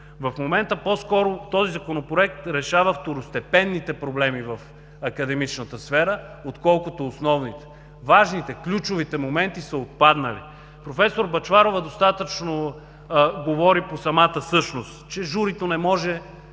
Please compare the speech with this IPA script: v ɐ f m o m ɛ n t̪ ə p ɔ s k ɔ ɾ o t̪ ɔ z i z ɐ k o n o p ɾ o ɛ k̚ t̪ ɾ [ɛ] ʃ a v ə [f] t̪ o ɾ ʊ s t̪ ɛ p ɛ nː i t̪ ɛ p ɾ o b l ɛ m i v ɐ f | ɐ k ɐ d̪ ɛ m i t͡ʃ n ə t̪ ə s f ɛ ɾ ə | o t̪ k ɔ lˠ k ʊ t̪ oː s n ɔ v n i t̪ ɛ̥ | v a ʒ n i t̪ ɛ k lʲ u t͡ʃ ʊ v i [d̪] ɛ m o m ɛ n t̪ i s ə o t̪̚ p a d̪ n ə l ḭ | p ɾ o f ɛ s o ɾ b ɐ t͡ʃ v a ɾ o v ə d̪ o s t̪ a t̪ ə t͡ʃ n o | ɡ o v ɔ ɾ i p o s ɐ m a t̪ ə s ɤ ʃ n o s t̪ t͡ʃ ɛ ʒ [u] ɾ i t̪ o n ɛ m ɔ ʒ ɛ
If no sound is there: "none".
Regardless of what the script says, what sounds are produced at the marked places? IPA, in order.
ɛ, f, t̪, u

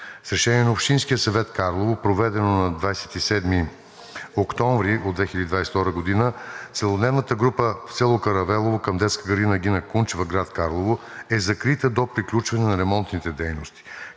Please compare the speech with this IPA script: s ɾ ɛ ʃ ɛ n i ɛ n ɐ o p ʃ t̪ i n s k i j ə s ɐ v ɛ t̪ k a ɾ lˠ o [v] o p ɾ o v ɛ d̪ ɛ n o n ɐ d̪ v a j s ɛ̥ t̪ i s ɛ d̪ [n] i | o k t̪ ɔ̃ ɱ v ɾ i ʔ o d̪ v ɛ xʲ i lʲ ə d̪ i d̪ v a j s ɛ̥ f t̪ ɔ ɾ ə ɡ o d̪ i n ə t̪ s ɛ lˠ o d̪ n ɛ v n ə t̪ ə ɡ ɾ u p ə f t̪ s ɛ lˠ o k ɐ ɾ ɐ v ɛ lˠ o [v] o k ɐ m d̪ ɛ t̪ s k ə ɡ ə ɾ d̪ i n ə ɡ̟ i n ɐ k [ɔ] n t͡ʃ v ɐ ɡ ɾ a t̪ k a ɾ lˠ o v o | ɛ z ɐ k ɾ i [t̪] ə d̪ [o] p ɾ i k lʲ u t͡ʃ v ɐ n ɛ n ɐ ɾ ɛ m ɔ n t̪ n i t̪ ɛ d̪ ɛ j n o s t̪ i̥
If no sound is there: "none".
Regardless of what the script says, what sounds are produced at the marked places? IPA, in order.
v, m, v, u, t̪, o

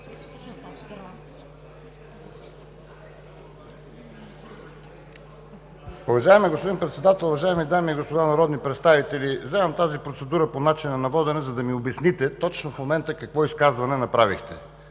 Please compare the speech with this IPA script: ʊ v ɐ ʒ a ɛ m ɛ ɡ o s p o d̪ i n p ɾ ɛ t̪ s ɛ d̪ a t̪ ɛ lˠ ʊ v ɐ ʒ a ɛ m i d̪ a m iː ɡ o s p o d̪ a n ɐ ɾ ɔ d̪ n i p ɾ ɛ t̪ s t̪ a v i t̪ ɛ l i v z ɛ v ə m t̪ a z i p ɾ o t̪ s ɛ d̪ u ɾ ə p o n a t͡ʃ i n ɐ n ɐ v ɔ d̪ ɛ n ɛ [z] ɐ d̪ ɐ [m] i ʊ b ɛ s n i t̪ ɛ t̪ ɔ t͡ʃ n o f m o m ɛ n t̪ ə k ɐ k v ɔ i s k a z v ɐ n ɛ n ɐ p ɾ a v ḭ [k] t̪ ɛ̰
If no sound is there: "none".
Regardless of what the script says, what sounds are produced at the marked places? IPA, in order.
z, m, x

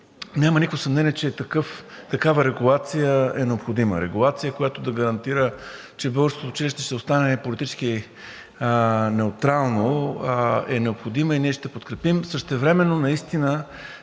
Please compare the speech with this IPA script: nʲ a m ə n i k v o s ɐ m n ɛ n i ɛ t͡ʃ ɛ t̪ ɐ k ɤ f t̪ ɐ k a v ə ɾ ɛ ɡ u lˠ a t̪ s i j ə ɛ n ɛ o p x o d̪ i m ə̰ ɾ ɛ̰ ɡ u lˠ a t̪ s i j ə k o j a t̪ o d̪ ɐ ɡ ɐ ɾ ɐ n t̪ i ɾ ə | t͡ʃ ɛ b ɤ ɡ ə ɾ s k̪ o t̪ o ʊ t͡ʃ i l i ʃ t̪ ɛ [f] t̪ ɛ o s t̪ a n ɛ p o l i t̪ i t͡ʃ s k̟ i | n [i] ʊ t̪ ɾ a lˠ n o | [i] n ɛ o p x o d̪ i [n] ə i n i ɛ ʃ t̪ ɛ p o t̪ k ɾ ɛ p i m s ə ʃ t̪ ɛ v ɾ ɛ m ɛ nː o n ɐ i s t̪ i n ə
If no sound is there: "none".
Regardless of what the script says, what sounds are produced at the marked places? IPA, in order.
ʃ, ɛ, ɛ, m

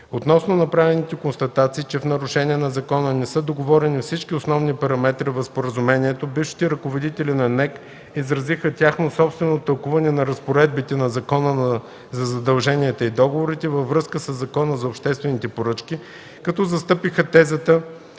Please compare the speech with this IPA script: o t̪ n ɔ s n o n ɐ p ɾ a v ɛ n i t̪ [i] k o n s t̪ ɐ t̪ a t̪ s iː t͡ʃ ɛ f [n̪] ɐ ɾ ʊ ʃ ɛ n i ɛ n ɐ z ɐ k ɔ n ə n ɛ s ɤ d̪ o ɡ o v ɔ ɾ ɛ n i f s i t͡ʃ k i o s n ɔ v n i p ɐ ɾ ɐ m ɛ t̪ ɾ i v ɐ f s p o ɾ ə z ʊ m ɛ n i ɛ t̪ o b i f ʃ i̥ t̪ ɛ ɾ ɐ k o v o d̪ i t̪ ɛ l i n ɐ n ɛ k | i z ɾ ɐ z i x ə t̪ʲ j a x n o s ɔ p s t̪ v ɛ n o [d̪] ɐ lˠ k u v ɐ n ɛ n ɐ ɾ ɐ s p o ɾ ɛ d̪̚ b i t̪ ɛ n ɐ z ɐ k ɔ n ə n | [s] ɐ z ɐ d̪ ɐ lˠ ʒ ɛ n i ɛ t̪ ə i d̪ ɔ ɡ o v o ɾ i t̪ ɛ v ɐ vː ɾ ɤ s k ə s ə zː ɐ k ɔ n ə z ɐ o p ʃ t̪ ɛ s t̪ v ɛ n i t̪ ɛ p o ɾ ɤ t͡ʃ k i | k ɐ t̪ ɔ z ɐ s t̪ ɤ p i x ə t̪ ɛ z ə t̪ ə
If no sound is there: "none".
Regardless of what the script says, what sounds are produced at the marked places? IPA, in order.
ɛ, n̪, t̪, z

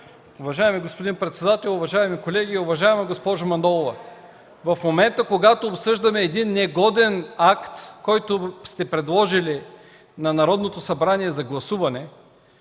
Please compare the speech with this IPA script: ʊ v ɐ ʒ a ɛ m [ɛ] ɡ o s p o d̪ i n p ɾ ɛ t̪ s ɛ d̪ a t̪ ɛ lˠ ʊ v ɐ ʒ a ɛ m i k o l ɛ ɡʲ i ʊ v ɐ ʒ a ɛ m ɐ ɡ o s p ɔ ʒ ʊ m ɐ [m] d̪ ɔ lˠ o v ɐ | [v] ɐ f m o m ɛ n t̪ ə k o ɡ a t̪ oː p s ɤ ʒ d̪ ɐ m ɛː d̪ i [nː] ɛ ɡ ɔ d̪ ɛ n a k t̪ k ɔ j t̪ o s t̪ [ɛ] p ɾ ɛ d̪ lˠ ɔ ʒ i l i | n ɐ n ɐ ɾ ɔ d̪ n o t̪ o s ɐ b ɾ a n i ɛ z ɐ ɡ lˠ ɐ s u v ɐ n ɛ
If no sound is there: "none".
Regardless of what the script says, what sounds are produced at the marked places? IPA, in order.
i, n, v, nː, ɛ

